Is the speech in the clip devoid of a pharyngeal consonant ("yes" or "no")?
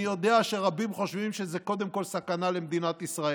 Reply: yes